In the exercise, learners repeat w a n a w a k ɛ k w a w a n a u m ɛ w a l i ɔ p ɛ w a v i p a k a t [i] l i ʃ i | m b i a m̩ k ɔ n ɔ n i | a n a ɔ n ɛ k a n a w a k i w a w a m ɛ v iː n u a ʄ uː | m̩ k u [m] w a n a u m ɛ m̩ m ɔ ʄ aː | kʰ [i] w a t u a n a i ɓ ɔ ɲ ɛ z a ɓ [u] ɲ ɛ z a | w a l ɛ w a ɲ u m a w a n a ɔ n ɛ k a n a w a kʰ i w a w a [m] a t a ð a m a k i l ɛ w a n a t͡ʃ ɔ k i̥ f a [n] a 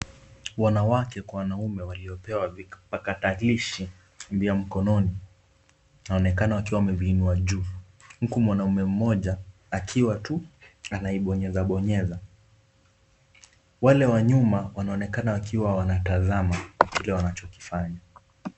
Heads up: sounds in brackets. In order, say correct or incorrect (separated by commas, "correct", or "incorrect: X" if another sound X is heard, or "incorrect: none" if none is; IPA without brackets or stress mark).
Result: incorrect: a, correct, correct, incorrect: ɔ, incorrect: n, incorrect: ɲ